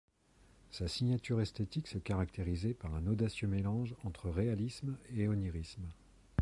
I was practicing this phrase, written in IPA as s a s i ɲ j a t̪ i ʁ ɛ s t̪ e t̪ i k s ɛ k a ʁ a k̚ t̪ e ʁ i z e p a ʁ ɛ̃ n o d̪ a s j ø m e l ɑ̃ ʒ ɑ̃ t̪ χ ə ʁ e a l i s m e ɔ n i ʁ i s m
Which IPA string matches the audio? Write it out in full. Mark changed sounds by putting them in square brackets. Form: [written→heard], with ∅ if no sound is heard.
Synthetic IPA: s a s i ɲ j a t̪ [i→y] ʁ ɛ s t̪ e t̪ i k s ɛ k a ʁ a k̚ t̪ e ʁ i z e p a ʁ ɛ̃ n o d̪ a s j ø m e l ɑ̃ ʒ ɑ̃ t̪ χ ə ʁ e a l i s m e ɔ n i ʁ i s m